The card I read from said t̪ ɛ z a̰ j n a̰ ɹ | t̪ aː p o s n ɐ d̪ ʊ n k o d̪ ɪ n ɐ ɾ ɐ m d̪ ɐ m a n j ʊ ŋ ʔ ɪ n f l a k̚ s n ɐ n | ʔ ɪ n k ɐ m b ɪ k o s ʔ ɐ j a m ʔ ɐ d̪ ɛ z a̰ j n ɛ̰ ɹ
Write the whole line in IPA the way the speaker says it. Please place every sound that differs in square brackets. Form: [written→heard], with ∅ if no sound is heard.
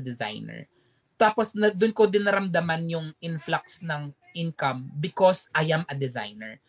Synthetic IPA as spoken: [t̪→d̪] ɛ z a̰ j n [a̰→ɛ̰] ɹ | t̪ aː p o s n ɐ d̪ ʊ n k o d̪ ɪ n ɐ ɾ ɐ m d̪ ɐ m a n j ʊ ŋ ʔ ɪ n f l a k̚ s n ɐ [n→ŋ] | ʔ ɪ n k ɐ m b ɪ k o s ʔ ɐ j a m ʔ ɐ d̪ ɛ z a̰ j n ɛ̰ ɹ